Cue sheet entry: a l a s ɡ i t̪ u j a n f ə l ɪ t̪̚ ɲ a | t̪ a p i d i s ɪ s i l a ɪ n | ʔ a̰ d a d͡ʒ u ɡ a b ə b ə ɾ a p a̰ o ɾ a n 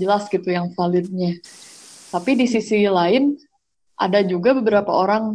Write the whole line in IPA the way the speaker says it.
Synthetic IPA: ə l a s ɡ i t̪ u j a ŋ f a l ɪ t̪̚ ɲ a | t̪ a p i d i s i s i l a ɪ n | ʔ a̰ d a d͡ʒ u ɡ a b ə b ə ɾ a p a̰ o ɾ a ŋ